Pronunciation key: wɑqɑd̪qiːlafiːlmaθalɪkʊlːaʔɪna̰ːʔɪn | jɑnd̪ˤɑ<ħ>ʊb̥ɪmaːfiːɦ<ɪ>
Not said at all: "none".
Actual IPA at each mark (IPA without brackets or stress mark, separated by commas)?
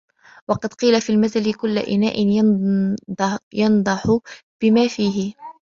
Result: ħ, ɪ